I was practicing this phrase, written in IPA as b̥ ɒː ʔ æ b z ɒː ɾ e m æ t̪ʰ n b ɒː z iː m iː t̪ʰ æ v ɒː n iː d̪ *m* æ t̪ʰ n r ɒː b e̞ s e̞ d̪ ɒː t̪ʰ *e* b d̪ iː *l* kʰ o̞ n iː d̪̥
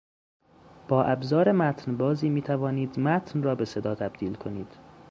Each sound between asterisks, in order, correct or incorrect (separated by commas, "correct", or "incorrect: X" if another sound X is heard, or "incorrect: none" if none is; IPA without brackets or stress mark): correct, incorrect: æ, correct